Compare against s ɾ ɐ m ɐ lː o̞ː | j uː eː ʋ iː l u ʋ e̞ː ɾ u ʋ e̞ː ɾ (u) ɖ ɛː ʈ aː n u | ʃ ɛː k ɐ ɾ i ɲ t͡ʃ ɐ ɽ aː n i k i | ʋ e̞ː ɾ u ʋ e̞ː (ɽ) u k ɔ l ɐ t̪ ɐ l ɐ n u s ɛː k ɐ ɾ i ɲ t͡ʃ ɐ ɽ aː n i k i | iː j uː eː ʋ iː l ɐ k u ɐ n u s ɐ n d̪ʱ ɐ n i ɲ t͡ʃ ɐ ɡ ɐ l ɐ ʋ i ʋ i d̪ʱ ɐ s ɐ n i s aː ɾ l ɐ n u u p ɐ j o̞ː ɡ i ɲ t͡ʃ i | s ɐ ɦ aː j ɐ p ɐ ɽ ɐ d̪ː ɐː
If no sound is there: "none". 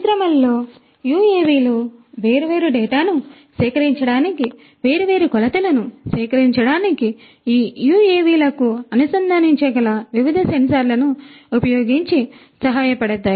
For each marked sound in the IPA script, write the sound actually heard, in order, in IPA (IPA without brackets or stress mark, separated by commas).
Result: u, ɾ